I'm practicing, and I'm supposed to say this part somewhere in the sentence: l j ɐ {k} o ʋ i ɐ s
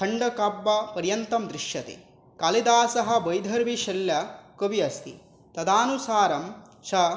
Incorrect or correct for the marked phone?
correct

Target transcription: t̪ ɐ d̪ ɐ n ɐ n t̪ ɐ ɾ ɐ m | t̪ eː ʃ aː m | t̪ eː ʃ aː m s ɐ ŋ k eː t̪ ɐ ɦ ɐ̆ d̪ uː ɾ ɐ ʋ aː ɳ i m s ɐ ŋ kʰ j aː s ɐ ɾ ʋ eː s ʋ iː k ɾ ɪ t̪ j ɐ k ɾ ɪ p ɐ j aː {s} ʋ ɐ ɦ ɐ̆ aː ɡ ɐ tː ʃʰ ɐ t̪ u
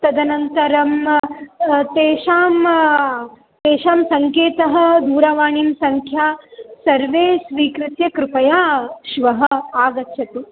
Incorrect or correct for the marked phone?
incorrect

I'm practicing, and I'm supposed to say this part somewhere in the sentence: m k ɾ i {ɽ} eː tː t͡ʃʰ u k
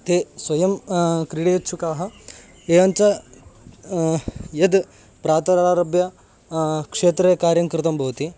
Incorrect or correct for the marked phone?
correct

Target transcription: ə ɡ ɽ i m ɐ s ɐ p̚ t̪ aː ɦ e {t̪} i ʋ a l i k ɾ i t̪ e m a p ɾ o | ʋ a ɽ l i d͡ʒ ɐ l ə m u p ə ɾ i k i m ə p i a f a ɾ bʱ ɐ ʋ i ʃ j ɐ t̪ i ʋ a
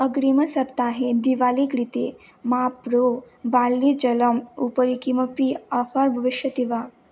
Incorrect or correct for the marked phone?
incorrect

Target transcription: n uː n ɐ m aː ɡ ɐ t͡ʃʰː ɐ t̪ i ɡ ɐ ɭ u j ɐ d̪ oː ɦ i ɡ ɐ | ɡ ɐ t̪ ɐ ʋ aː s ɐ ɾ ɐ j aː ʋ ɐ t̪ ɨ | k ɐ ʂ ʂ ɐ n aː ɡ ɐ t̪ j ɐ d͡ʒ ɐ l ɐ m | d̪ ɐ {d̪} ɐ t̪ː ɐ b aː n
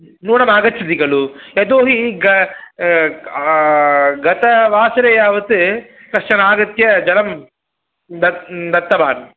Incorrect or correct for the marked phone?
correct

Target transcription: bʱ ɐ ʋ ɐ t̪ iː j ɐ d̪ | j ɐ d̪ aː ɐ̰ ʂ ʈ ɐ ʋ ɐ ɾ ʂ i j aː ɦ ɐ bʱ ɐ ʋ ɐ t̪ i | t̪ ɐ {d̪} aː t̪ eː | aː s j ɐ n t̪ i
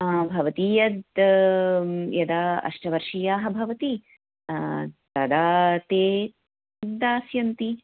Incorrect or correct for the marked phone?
correct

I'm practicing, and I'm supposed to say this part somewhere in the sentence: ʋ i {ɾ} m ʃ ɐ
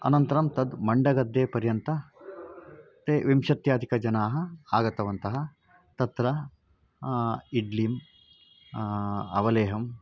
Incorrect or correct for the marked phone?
incorrect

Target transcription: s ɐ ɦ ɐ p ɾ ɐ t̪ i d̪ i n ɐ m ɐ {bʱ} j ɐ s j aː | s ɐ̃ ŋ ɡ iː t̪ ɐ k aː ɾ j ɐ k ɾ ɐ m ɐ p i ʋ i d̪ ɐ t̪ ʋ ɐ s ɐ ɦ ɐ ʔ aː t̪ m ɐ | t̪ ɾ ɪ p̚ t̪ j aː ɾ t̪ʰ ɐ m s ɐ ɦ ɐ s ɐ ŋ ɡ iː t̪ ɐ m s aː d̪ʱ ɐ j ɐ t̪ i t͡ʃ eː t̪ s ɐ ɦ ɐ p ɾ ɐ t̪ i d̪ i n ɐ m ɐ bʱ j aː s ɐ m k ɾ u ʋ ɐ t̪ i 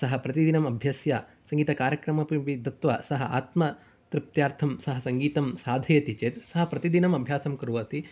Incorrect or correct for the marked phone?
correct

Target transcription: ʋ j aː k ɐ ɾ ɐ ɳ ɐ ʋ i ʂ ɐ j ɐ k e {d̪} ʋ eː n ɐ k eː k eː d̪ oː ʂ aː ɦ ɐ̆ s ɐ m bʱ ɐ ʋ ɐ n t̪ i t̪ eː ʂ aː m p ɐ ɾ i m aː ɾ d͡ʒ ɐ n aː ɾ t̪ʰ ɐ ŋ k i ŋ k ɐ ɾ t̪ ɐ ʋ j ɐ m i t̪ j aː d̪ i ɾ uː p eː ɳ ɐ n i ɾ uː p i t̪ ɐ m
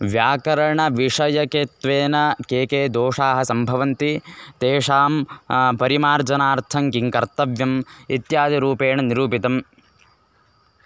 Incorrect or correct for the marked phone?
incorrect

